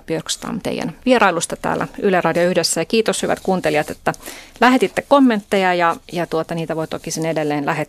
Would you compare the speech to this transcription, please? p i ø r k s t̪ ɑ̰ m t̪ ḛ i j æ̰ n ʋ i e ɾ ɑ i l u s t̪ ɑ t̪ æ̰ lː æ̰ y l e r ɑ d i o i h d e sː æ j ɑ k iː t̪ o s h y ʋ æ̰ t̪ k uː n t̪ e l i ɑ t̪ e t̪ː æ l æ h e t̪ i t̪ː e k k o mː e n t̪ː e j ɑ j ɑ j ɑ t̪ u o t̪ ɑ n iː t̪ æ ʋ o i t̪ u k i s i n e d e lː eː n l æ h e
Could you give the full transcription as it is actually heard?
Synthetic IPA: p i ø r k s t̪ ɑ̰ m t̪ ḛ i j æ̰ n ʋ i e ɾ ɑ i l u s t̪ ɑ t̪ æ̰ː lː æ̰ y l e r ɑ d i o y h d e sː æ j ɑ k iː t̪ o s h y ʋ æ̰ t̪ k uː n t̪ e l i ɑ t̪ e t̪ː æ l æ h e t̪ i t̪ː e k k o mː e n t̪ː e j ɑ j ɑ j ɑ t̪ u o t̪ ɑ n iː t̪ æ ʋ o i t̪ o k i s i n e d e lː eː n l æ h e